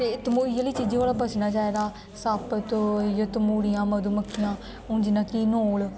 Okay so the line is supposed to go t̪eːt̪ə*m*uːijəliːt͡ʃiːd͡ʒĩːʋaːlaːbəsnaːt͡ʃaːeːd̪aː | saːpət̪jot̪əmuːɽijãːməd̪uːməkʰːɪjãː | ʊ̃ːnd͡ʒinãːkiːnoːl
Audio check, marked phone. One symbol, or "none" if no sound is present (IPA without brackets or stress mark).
m